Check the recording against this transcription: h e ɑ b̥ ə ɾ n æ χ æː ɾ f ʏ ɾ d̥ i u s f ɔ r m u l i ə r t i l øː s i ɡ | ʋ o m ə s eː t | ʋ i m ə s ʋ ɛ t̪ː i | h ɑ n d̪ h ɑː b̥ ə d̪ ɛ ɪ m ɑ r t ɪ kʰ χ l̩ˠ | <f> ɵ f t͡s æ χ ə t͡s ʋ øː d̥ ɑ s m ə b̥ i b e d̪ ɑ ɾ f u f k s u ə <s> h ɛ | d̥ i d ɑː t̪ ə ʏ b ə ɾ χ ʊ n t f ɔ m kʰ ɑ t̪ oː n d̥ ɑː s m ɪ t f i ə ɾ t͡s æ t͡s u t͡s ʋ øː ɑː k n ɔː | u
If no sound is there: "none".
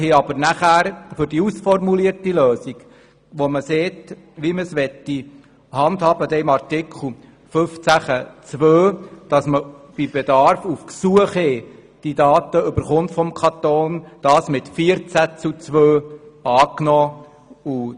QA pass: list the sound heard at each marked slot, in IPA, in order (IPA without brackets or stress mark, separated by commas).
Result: f, χ